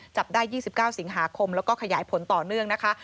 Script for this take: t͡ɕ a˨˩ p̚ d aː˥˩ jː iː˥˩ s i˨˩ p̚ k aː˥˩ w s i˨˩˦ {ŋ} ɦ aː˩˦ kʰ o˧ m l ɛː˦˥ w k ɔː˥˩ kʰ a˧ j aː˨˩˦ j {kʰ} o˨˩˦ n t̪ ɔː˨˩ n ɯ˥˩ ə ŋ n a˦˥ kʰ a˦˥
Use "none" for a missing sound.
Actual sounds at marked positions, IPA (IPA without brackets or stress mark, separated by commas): ŋ, pʰ